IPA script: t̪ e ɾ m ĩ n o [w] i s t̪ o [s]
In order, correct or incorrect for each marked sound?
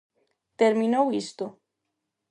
correct, incorrect

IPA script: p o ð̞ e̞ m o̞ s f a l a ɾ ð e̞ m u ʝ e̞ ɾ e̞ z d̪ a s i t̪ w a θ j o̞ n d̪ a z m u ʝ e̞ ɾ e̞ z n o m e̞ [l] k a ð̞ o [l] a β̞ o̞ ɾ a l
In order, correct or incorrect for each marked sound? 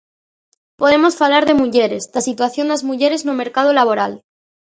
incorrect, correct

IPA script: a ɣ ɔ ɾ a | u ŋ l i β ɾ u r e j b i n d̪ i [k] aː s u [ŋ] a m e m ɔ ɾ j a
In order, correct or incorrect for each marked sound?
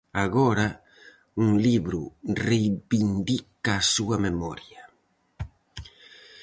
correct, incorrect

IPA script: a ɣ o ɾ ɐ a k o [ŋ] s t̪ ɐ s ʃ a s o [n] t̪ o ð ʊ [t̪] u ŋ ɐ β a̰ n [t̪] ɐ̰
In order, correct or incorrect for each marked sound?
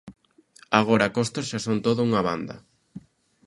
incorrect, correct, incorrect, incorrect

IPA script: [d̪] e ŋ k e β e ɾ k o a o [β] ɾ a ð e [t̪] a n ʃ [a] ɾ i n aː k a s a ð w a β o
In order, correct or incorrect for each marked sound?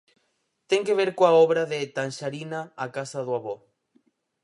incorrect, correct, correct, correct

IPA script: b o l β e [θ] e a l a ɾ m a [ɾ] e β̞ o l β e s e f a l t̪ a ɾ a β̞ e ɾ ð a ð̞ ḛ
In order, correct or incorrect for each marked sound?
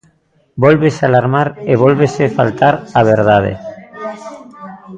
incorrect, correct

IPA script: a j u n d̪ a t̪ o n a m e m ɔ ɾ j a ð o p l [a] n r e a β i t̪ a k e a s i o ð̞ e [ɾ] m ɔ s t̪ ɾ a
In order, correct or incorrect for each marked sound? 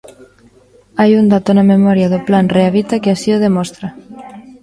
correct, incorrect

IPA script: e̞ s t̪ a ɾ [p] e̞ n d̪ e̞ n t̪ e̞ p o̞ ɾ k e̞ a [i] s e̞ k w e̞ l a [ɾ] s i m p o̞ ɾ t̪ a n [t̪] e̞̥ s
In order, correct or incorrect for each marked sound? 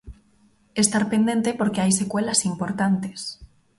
correct, incorrect, incorrect, correct

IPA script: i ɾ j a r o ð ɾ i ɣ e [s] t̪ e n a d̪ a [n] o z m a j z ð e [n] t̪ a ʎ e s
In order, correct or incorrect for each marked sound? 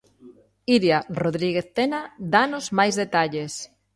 incorrect, correct, incorrect

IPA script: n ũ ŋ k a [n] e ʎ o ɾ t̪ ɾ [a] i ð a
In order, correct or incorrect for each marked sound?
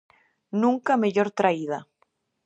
incorrect, correct

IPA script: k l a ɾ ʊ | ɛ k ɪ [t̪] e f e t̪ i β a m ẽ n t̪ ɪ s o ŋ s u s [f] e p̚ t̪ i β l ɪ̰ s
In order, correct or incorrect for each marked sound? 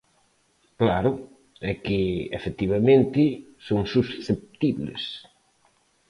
incorrect, incorrect

